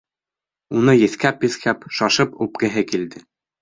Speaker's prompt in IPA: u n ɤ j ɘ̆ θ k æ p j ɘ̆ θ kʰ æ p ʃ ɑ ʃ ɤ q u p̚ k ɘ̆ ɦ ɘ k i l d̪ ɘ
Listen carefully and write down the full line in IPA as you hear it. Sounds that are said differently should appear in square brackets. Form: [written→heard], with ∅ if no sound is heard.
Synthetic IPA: u n ɤ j ɘ̆ θ k æ p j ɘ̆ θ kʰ æ p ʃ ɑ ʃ ɤ [q→p] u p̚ k ɘ̆ ɦ ɘ k i l d̪ ɘ